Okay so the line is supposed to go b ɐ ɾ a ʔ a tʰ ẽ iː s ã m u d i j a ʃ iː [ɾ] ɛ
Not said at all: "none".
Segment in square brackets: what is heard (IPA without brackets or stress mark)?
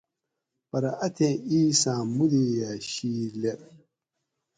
l